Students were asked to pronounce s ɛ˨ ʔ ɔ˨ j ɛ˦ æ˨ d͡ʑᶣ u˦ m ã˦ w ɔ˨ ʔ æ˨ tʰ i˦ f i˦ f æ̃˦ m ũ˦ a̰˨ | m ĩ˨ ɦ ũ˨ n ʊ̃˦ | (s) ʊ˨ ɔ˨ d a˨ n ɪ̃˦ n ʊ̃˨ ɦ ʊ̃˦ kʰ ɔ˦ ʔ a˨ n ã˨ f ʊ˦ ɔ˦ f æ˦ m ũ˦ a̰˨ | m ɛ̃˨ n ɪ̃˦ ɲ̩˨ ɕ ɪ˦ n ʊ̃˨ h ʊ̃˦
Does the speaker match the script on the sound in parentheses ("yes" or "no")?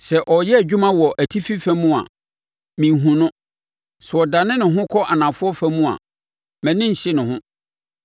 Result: yes